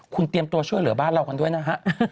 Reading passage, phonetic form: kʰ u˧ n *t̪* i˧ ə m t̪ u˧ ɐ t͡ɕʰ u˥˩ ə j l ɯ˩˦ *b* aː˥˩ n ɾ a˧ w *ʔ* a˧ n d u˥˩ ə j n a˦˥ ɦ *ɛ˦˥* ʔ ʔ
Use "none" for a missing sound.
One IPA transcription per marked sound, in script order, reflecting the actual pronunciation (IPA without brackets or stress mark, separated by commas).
t̪, b, k, a˦˥